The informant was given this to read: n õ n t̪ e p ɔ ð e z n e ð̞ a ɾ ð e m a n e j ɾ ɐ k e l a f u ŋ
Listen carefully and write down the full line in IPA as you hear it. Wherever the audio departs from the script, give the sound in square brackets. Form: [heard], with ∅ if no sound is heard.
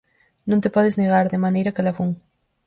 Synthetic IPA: n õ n t̪ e p ɔ ð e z n e [ɣ̞] a ɾ ð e m a n e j ɾ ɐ k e l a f u ŋ